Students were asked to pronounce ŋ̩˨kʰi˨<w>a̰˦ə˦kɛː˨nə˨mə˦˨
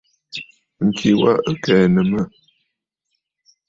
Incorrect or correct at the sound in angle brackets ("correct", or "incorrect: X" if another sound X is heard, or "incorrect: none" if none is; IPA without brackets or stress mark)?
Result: correct